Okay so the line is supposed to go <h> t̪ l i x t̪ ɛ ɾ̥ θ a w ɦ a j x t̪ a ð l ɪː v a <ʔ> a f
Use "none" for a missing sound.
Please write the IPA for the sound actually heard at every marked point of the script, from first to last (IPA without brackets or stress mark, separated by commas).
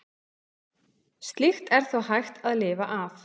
s, ʔ